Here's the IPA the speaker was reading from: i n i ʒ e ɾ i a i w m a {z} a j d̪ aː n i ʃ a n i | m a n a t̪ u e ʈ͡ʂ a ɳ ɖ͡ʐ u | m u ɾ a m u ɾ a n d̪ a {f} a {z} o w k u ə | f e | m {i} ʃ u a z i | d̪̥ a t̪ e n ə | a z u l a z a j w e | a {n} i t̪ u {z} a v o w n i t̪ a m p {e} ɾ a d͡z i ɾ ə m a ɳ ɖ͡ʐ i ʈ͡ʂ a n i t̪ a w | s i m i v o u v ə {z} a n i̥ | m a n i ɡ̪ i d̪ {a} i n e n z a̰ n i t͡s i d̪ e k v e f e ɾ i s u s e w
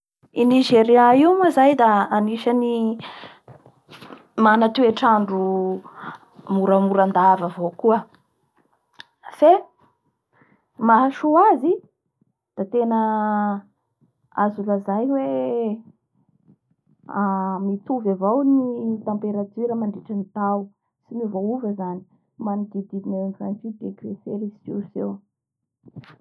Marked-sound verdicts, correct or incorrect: correct, incorrect: v, incorrect: v, incorrect: a, incorrect: m, incorrect: v, correct, correct, incorrect: i

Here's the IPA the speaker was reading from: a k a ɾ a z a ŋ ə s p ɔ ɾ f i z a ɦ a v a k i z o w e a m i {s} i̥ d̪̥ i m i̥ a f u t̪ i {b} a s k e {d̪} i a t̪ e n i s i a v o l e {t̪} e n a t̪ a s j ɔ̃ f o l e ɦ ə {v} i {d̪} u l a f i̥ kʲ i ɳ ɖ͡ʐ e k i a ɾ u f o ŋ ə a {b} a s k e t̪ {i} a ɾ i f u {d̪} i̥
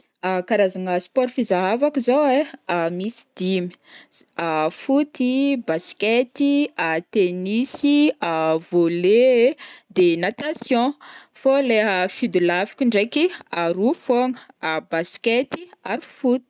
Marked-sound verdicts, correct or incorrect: correct, correct, incorrect: t̪, incorrect: d̪, incorrect: f, correct, correct, correct, incorrect: t̪

